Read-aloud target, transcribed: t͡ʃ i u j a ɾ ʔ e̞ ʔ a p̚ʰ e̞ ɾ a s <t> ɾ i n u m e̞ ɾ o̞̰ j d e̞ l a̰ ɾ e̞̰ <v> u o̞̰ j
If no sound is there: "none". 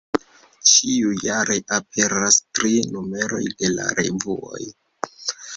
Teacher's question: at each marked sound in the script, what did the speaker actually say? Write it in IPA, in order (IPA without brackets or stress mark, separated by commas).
t, v